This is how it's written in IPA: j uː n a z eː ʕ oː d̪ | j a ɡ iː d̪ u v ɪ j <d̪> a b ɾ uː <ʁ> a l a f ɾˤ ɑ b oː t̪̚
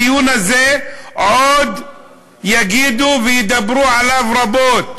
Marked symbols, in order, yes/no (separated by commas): yes, no